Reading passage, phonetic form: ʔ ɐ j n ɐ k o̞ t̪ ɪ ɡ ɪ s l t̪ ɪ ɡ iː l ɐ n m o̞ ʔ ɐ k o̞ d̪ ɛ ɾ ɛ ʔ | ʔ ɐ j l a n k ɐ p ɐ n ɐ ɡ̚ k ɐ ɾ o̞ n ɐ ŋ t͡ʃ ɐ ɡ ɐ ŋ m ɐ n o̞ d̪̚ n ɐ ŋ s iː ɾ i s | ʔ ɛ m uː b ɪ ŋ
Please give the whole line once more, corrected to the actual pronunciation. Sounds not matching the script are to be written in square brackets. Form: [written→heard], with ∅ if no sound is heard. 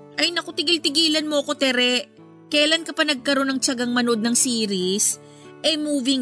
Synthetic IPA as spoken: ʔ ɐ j n ɐ k o̞ t̪ ɪ ɡ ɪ [s→∅] l t̪ ɪ ɡ iː l ɐ n m o̞ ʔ ɐ k o̞ [d̪→t̪] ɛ ɾ ɛ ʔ | [ʔ→k] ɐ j l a n k ɐ p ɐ n ɐ ɡ̚ k ɐ ɾ o̞ n ɐ ŋ t͡ʃ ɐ ɡ ɐ ŋ m ɐ n o̞ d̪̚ n ɐ ŋ s iː ɾ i s | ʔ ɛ m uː [b→v] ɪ ŋ